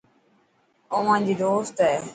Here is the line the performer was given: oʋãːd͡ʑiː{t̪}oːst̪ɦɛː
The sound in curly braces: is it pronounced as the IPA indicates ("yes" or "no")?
no